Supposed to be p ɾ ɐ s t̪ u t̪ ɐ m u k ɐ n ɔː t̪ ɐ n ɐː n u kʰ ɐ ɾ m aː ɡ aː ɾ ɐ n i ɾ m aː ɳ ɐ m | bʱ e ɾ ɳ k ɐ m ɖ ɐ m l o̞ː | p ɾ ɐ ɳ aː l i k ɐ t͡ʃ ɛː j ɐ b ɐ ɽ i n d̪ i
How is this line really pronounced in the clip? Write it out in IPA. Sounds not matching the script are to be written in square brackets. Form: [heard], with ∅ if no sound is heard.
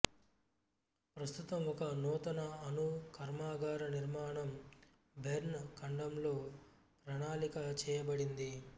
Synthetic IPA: p ɾ ɐ s t̪ u t̪ ɐ m [ɔ] k ɐ n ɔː t̪ ɐ n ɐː n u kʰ ɐ ɾ m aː ɡ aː ɾ ɐ n i ɾ m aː ɳ ɐ m | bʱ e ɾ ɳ k ɐ [ɳ] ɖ ɐ m l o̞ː | p ɾ ɐ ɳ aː l i k ɐ t͡ʃ ɛː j ɐ b ɐ ɽ i n d̪ i